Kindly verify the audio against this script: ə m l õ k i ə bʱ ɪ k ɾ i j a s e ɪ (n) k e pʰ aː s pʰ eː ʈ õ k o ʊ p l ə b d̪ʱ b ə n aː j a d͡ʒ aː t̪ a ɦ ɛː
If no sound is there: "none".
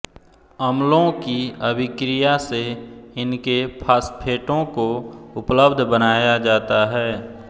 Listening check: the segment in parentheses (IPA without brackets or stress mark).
n